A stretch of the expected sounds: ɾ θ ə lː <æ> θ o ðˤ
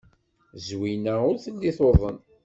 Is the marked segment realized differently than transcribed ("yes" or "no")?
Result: yes